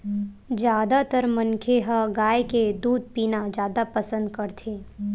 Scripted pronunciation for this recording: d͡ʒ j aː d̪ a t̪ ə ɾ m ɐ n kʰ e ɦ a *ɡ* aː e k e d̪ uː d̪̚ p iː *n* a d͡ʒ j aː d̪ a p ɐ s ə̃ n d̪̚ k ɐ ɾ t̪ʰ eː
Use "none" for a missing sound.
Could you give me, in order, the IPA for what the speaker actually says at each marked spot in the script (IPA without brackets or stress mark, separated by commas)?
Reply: ɡ, n